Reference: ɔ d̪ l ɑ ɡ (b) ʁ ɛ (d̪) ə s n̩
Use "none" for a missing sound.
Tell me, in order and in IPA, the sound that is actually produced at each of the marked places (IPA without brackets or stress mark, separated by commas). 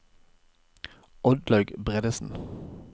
b, d̪